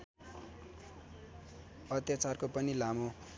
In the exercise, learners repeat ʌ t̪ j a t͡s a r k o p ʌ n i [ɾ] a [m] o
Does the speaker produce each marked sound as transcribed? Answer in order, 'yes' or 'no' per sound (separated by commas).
no, yes